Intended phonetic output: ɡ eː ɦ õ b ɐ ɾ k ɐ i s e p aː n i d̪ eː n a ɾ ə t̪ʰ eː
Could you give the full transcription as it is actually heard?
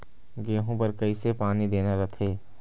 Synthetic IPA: ɡ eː ɦ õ p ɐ ɾ k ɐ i s e p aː n i d̪ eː n a ɾ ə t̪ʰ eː

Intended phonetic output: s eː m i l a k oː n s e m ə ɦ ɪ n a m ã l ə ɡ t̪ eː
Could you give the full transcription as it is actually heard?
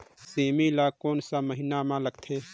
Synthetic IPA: s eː m i l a k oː n s a m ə ɦ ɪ n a m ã l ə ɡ t̪ʰ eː

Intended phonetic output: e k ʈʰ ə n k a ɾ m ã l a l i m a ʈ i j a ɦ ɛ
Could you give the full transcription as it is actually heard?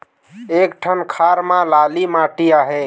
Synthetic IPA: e k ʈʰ ə n kʰ a ɾ m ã l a l i m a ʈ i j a ɦ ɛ

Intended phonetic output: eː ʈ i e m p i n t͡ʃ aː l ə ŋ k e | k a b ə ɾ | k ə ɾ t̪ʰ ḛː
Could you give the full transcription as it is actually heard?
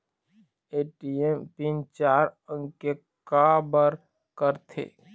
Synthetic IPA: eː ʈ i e m p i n t͡ʃ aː ɾ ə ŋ k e | k a b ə ɾ | k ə ɾ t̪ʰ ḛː

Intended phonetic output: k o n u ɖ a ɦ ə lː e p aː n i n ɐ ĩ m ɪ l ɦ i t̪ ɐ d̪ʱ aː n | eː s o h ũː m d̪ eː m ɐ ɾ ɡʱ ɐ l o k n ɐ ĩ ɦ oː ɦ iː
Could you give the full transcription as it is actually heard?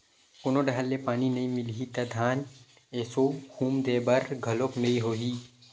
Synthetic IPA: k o n o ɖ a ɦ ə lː e p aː n i n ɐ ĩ m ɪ l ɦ i t̪ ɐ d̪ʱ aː n | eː s o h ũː m d̪ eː b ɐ ɾ ɡʱ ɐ l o k n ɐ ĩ ɦ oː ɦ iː

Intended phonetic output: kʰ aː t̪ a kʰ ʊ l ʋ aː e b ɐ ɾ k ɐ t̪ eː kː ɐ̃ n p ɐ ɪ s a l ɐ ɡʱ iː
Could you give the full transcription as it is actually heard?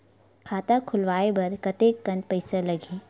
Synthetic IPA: kʰ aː t̪ a kʰ ʊ l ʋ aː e b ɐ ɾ k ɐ t̪ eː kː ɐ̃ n p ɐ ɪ s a l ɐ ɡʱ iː

